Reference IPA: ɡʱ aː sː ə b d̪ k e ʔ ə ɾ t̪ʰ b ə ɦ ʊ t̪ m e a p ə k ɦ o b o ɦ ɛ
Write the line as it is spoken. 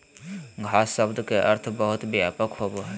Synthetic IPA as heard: ɡʱ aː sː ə b d̪ k e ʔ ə ɾ t̪ʰ b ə ɦ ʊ t̪ b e a p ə k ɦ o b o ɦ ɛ